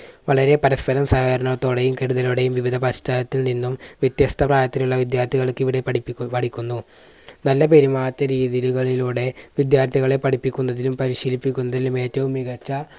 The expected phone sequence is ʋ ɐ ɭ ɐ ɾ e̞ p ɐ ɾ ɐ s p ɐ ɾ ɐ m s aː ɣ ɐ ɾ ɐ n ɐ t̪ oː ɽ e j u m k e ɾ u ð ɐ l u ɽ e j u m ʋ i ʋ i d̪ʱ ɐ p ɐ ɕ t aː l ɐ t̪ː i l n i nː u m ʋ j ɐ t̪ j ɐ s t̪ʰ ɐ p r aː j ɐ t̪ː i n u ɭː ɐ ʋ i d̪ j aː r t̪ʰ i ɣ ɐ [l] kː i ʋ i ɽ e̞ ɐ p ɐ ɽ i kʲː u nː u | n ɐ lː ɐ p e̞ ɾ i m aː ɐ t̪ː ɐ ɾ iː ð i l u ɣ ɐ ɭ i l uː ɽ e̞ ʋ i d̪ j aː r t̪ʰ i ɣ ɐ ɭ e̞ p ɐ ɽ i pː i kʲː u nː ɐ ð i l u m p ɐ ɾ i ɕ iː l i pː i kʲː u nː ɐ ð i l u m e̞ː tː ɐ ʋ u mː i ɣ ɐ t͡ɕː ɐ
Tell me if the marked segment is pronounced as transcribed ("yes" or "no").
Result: no